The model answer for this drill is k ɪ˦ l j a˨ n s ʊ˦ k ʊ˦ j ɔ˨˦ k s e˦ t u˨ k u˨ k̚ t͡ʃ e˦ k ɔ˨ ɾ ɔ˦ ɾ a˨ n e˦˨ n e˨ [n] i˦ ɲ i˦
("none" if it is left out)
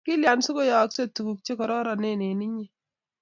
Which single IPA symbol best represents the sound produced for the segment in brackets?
n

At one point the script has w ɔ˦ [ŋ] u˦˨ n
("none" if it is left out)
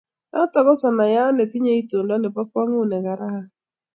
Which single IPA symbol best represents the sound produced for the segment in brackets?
ŋ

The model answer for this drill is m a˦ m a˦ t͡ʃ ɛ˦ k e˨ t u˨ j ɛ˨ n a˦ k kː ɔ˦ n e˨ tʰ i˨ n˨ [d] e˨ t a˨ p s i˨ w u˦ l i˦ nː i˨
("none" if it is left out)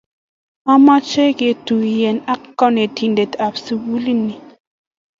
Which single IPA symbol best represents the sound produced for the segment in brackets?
d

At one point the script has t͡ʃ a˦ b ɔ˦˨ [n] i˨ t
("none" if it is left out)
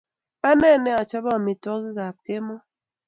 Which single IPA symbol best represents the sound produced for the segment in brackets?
m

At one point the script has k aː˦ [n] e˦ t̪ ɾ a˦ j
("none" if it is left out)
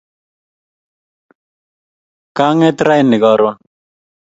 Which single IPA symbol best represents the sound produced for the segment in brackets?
ŋ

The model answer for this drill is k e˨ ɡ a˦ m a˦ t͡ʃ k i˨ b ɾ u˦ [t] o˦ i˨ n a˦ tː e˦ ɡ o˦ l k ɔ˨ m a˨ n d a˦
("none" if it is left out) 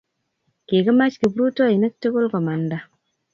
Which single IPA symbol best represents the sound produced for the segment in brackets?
t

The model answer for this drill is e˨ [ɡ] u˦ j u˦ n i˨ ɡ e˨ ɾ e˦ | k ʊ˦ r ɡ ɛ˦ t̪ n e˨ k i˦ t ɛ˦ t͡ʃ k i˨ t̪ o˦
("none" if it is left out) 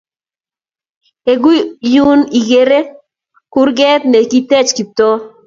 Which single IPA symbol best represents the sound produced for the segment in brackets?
ɡ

